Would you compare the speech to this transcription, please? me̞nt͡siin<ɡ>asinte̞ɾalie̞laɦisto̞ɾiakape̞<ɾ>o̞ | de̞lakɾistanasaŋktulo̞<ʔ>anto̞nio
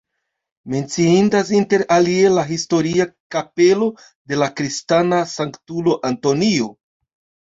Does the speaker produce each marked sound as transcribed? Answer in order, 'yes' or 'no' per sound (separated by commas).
no, no, yes